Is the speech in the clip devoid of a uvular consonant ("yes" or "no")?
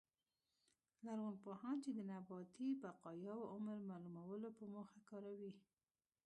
no